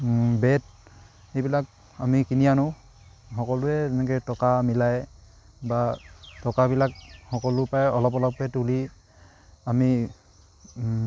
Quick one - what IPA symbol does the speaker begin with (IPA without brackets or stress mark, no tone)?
b